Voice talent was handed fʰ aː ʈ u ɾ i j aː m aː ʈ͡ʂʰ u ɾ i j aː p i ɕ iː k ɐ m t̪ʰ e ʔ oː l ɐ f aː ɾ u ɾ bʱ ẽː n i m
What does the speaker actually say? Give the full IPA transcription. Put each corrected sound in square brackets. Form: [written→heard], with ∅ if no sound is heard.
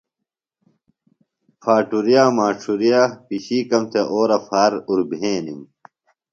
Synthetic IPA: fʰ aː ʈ u ɾ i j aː m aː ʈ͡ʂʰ u ɾ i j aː p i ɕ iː k ɐ m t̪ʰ e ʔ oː [l→ɾ] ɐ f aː ɾ u ɾ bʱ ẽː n i m